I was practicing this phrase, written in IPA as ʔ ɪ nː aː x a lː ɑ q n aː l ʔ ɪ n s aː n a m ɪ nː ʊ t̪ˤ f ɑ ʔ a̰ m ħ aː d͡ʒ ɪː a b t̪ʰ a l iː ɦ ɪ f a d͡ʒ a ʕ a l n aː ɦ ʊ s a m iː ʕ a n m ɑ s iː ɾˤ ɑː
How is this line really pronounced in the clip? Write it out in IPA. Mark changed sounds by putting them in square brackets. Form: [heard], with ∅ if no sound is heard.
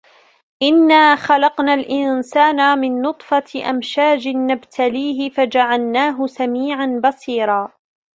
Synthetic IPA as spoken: ʔ ɪ nː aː x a [l] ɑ q n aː l ʔ ɪ n s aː n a m ɪ nː ʊ t̪ˤ f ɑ ʔ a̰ m [ʃ] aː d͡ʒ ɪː a b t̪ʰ a l iː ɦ ɪ f a d͡ʒ a ʕ a l n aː ɦ ʊ s a m iː ʕ a n [b] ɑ s iː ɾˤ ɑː